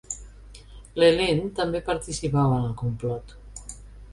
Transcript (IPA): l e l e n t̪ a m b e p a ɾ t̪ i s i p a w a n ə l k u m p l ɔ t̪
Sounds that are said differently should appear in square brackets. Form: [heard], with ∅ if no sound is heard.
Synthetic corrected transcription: l e l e n t̪ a m b e p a ɾ t̪ i s i p a w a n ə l k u m p l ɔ t̪